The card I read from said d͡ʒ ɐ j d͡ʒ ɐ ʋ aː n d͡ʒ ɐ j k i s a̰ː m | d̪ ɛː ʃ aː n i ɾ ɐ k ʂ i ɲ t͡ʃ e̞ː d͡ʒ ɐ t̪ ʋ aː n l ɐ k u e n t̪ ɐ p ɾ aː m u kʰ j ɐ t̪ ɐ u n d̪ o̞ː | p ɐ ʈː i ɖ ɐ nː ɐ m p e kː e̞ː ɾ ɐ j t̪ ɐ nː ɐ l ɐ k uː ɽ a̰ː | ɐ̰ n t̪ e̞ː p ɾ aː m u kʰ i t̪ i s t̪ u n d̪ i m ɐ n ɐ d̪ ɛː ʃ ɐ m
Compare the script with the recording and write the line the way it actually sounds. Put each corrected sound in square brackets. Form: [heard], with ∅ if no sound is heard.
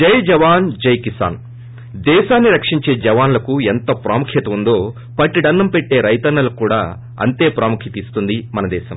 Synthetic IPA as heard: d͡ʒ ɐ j d͡ʒ ɐ ʋ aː n d͡ʒ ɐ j k i s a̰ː [n] | d̪ ɛː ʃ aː [nː] i ɾ ɐ k ʂ i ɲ t͡ʃ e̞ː d͡ʒ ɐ [∅] ʋ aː n l ɐ k u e n t̪ ɐ p ɾ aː m u kʰ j ɐ t̪ ɐ u n d̪ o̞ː | p ɐ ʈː i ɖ ɐ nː ɐ m p e [ʈː] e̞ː ɾ ɐ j t̪ ɐ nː ɐ l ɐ k uː ɽ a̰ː | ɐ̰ n t̪ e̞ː p ɾ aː m u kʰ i t̪ i s t̪ u n d̪ i m ɐ n ɐ d̪ ɛː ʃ ɐ m